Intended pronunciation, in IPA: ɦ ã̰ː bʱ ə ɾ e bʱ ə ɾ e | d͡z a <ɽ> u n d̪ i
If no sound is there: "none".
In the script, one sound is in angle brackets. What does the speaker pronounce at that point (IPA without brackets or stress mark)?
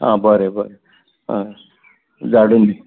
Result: ɽ